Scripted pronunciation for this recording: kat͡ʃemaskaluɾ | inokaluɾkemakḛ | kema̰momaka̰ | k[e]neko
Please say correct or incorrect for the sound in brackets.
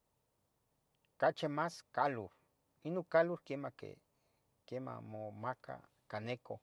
incorrect